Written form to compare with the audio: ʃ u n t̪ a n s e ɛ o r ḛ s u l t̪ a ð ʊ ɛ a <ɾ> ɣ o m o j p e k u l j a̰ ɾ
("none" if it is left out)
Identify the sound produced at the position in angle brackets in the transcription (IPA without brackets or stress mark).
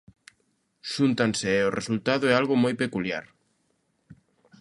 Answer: l